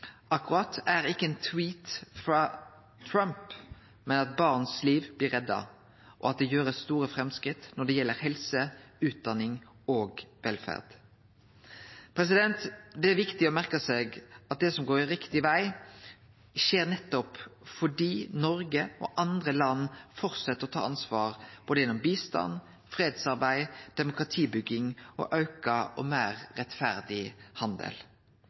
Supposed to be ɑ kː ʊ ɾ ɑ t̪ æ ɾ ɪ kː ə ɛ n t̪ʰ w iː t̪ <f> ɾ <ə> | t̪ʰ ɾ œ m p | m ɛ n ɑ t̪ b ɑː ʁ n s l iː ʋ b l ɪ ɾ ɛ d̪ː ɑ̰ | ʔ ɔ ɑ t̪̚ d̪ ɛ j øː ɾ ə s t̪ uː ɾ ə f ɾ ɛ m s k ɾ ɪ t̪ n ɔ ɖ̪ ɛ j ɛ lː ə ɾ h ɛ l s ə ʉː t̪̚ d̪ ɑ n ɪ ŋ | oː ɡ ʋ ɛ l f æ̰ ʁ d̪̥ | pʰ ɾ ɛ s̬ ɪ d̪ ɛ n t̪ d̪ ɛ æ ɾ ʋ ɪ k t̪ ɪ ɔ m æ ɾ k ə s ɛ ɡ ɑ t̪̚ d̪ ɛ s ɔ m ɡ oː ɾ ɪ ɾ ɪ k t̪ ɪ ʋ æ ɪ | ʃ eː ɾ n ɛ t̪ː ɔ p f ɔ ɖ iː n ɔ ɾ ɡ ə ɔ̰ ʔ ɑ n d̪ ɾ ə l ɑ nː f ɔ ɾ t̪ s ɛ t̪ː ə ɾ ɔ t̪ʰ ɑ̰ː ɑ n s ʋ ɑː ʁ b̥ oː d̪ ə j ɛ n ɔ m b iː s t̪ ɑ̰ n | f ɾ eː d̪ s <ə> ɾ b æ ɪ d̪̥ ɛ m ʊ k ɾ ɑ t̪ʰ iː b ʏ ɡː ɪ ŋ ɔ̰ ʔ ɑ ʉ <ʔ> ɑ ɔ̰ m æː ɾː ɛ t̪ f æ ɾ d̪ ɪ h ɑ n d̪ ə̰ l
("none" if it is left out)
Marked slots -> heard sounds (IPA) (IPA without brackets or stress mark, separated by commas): f, ɑ, ɑ, k